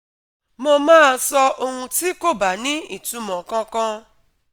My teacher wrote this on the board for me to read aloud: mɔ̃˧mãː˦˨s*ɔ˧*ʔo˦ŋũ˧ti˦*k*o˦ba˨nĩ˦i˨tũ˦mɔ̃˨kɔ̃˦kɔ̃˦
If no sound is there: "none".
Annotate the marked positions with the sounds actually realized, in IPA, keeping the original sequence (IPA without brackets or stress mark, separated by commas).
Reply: ɔ˧, k